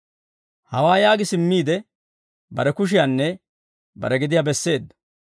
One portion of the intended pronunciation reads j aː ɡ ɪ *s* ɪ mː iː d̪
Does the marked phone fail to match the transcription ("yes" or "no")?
no